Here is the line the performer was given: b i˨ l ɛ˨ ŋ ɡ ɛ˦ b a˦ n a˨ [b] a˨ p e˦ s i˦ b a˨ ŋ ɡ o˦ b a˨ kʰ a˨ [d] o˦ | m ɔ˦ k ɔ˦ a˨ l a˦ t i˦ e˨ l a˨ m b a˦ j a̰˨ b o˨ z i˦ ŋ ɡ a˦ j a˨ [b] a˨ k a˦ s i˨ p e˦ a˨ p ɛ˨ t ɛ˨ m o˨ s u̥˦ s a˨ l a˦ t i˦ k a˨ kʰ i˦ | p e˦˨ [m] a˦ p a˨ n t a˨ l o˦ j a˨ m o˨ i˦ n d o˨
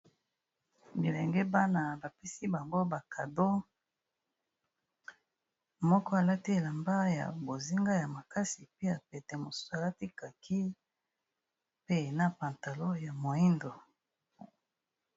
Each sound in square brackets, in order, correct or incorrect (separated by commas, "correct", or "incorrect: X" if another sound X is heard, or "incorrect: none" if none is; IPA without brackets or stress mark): correct, correct, incorrect: m, incorrect: n